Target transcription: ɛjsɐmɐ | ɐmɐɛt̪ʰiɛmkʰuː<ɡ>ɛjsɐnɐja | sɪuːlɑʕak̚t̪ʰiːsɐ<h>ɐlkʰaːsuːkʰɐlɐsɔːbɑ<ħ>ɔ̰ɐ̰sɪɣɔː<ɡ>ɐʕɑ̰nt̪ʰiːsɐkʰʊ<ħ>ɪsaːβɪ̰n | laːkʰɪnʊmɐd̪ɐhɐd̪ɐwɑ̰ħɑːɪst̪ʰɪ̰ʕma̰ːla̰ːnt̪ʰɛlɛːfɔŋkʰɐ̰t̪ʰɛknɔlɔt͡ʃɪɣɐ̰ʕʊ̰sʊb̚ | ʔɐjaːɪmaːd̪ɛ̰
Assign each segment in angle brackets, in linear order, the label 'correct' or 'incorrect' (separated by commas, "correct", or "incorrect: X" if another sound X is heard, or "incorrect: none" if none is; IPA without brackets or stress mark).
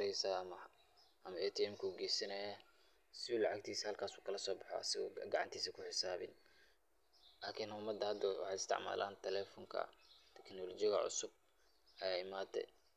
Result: correct, correct, correct, correct, correct